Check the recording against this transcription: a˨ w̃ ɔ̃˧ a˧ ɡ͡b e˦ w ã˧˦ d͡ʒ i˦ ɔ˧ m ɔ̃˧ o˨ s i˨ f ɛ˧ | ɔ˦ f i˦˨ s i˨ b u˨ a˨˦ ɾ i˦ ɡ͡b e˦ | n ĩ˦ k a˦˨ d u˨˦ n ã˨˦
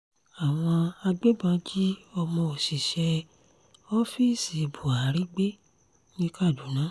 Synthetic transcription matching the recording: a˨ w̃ ɔ̃˧ a˧ ɡ͡b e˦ b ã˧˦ d͡ʒ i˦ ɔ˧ m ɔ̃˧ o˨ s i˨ ʃ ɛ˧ | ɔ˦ f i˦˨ s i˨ b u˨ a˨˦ ɾ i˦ ɡ͡b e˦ | n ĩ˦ k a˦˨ d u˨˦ n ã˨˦